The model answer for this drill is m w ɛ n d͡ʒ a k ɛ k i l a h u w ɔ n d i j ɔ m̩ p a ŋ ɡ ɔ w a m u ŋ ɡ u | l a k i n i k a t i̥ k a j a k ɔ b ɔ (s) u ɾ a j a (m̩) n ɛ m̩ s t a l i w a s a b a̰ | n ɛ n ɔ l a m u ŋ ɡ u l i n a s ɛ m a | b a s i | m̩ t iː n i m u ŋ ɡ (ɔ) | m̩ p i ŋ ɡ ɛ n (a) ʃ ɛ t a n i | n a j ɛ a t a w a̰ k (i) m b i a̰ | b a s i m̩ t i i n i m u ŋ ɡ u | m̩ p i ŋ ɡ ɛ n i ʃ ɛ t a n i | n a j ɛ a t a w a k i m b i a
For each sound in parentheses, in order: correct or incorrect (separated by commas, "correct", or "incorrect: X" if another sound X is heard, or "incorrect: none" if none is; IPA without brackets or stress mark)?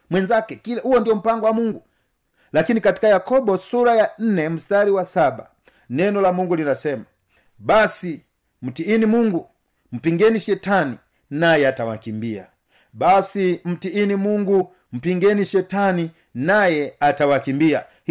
correct, incorrect: n̩, incorrect: u, incorrect: i, correct